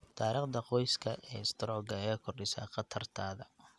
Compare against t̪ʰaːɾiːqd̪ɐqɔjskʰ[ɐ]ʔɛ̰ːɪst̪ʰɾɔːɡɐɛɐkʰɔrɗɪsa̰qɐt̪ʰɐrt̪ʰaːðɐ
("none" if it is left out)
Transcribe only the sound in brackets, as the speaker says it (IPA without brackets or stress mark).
ɐ